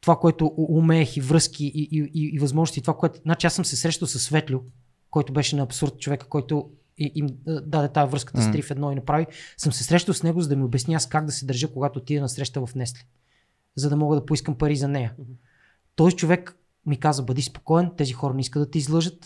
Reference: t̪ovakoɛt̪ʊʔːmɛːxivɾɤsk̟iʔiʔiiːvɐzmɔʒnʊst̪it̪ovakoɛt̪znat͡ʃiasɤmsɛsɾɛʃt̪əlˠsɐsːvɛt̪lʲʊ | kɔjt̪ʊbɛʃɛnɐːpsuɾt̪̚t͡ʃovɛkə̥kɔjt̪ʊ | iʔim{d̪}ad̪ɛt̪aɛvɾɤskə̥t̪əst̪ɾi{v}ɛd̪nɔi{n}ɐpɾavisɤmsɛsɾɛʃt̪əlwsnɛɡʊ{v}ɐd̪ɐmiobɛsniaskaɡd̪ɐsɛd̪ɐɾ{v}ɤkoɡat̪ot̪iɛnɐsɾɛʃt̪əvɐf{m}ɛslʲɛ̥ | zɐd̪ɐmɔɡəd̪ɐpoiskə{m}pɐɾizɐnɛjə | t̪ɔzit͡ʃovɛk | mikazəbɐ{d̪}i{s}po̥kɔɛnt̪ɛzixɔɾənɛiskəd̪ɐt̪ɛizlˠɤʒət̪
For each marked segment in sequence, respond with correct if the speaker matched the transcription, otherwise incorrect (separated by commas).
correct, incorrect, correct, incorrect, incorrect, incorrect, correct, correct, correct